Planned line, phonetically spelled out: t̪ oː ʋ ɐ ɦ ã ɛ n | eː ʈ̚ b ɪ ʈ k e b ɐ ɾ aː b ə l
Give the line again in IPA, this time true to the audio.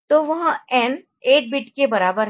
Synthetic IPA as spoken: t̪ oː ʋ ɐ ɦ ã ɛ n | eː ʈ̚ b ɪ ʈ k e b ɐ ɾ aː b ə ɾ

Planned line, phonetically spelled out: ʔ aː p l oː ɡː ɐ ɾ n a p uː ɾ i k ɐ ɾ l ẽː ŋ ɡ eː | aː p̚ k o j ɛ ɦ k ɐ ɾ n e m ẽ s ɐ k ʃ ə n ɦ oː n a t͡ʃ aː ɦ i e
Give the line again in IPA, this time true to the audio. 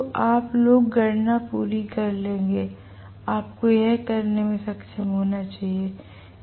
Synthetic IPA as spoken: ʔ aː p l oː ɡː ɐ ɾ n a p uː ɾ i k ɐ ɾ l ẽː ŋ ɡ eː | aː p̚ k o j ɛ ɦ k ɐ ɾ n e m ẽ s ɐ k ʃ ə m ɦ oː n a t͡ʃ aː ɦ i e

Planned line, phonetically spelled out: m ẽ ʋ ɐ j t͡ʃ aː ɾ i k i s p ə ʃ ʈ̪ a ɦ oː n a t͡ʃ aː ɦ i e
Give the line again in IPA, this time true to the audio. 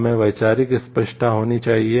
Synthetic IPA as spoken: m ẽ ʋ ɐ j t͡ʃ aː ɾ i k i s p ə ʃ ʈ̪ a ɦ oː n i t͡ʃ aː ɦ i e

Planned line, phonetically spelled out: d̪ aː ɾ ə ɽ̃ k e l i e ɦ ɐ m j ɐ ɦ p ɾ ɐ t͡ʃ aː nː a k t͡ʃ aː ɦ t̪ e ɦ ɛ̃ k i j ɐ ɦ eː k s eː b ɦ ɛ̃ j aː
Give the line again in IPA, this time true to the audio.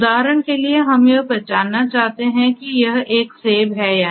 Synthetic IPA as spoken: d̪ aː ɾ ə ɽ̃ k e l i e ɦ ɐ m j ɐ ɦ p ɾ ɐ t͡ʃ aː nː a t͡ʃ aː ɦ t̪ e ɦ ɛ̃ k i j ɐ ɦ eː k s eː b ɦ ɛ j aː

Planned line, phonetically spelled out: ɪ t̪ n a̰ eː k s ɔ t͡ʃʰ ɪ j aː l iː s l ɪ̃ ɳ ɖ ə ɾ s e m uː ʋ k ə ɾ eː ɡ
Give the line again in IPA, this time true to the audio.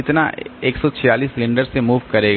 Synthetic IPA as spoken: ɪ t̪ n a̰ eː k s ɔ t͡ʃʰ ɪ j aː l iː s l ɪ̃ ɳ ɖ ə ɾ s e m uː ʋ k ɐ ɾ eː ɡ

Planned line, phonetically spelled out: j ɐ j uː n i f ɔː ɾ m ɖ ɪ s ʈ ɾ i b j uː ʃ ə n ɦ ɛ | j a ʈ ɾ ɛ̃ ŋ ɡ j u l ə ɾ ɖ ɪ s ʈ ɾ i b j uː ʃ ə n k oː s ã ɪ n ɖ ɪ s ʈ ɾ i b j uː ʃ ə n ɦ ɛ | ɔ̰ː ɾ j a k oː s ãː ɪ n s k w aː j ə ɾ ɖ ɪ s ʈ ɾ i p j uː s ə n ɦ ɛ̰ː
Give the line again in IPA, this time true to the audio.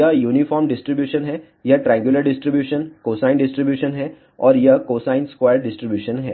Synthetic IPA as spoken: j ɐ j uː n i f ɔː ɾ m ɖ ɪ s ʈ ɾ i b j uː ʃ ə n ɦ ɛ | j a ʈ ɾ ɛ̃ ŋ ɡ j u l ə ɾ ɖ ɪ s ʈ ɾ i b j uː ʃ ə n k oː s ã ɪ n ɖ ɪ s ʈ ɾ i b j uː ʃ ə n ɦ ɛ | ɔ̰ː ɾ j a k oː s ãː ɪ n s k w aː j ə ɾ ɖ ɪ s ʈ ɾ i b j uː ʃ ə n ɦ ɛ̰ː

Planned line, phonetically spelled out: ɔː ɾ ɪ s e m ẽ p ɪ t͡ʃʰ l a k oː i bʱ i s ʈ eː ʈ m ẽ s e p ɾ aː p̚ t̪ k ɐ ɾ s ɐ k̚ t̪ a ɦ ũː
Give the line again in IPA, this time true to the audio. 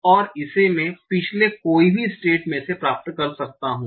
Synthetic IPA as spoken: ɔː ɾ ɪ s e m ẽ p ɪ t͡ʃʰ l e k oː i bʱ i s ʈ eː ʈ m ẽ s e p ɾ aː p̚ t̪ k ɐ ɾ s ɐ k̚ t̪ a ɦ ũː

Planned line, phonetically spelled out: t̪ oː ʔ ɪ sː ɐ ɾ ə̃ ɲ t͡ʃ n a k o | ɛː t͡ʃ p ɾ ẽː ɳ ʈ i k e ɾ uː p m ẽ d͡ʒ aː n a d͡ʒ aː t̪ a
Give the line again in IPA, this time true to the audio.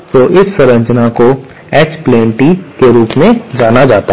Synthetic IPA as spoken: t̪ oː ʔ ɪ sː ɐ ɾ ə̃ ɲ t͡ʃ n a k o | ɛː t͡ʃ p l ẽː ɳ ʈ i k e ɾ uː p m ẽ d͡ʒ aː n a d͡ʒ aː t̪ a

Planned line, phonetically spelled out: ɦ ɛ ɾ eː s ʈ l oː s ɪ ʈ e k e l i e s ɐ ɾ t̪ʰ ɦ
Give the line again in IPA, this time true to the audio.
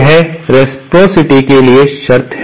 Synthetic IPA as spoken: ɦ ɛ ɾ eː s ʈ ɾ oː s ɪ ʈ i k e l i e ʃ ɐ ɾ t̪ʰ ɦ

